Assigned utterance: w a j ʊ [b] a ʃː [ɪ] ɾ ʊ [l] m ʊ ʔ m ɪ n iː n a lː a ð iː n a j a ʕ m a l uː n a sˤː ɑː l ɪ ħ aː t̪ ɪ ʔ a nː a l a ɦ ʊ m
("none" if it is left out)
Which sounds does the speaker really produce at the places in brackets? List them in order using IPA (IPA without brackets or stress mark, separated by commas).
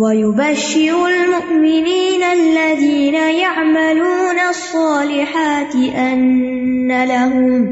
b, ɪ, l